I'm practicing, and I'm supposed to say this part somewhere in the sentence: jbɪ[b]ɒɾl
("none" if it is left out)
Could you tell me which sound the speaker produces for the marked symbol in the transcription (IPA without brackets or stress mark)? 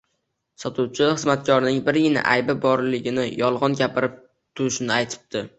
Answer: b